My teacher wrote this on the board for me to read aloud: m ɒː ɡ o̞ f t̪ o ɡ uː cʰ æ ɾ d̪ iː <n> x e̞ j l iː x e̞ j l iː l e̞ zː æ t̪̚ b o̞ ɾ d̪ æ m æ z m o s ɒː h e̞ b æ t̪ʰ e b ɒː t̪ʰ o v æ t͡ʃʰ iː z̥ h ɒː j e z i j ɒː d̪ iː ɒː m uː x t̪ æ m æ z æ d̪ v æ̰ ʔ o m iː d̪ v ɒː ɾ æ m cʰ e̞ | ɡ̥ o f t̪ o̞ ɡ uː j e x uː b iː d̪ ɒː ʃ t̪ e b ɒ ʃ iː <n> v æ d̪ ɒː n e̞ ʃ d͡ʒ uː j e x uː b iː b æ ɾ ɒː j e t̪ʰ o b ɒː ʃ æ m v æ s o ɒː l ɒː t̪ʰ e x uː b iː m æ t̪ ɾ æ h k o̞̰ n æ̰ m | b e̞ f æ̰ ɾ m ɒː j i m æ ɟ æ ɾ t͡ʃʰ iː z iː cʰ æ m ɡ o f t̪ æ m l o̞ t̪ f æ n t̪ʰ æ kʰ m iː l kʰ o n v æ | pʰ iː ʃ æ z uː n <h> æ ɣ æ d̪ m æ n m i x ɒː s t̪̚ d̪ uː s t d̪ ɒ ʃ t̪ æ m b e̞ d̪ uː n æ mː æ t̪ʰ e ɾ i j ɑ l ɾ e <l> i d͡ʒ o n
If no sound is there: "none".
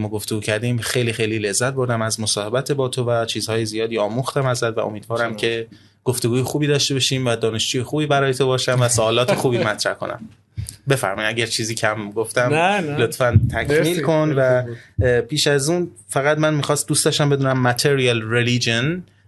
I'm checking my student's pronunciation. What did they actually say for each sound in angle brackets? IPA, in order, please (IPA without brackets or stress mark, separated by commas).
m, m, f, l